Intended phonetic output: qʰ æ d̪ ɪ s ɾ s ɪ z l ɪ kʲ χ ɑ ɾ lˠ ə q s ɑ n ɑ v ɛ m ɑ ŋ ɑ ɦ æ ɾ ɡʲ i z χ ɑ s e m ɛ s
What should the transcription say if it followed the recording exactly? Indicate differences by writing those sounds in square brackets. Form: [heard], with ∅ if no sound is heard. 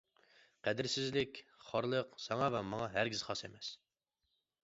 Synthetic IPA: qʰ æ d̪ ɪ [∅] ɾ s ɪ z l ɪ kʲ χ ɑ ɾ lˠ ə q s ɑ [ŋ] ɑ v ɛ m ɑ ŋ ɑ ɦ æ ɾ ɡʲ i z χ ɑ s e m ɛ s